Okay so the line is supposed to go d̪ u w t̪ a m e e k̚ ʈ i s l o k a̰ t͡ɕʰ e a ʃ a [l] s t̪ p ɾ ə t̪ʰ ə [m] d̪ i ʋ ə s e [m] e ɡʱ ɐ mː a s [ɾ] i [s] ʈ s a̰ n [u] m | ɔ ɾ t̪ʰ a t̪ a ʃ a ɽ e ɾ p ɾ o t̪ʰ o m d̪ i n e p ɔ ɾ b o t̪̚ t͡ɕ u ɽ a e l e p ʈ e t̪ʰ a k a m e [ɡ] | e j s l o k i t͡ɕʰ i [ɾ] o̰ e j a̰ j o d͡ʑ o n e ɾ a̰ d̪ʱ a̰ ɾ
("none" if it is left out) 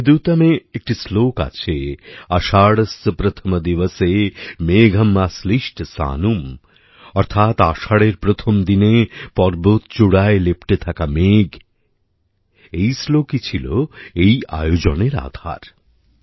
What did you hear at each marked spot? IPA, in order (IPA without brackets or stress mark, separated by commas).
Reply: ɽ, m, m, l, ʃ, u, ɡ, l